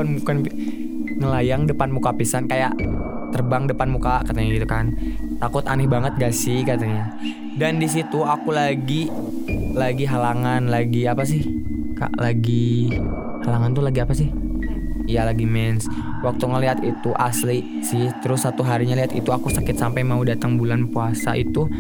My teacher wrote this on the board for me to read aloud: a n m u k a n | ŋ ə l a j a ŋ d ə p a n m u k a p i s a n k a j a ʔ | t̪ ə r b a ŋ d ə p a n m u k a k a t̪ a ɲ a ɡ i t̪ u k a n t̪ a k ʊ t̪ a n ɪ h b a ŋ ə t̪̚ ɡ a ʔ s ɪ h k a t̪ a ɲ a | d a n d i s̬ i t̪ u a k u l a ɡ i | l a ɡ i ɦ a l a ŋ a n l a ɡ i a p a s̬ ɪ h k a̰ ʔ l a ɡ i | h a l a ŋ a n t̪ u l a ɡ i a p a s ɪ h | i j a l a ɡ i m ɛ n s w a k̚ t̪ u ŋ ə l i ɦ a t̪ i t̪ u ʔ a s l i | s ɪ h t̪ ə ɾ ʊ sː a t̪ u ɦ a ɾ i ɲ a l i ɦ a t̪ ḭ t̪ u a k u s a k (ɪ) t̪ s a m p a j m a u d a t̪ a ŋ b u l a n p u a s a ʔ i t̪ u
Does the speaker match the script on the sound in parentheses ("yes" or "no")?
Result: yes